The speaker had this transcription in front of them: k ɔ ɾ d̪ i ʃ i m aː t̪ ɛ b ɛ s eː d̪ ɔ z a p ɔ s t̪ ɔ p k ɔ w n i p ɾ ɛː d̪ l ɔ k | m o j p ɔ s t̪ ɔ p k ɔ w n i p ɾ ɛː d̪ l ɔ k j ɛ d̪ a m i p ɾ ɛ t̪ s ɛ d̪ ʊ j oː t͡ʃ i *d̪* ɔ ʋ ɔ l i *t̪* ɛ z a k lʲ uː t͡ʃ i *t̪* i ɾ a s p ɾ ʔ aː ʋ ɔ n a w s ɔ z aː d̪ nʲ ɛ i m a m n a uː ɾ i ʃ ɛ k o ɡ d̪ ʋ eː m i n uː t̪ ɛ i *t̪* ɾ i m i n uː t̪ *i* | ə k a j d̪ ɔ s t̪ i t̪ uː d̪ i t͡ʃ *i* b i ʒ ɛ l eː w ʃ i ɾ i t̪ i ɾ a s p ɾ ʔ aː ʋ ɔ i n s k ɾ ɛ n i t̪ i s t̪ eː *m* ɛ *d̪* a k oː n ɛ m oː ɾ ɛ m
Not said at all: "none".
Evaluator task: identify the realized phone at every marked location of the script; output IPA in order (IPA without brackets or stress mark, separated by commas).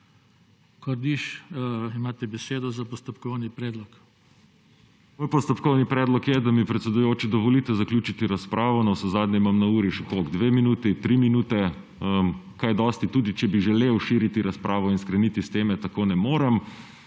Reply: d̪, t̪, t̪, t̪, ɛ, ɛ, m, t̪